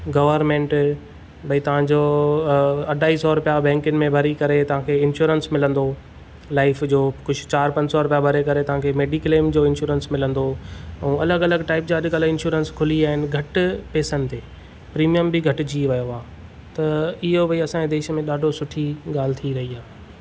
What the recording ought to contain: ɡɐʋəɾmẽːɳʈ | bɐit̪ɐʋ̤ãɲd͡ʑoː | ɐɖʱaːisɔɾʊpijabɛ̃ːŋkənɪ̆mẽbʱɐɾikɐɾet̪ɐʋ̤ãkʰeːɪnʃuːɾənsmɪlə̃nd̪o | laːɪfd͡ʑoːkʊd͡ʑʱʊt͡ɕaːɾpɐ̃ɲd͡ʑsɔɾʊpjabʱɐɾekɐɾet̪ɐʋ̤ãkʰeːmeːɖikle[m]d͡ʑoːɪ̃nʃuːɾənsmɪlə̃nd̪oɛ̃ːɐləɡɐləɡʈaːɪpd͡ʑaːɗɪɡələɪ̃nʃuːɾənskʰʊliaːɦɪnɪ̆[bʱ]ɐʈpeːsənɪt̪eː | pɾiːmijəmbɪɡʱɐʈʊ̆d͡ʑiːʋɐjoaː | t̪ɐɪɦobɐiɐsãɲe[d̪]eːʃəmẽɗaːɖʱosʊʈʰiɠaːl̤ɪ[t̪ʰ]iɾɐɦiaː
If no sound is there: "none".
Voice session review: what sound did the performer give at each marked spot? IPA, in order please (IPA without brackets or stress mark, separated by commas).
m, ɡʱ, d̪, t̪ʰ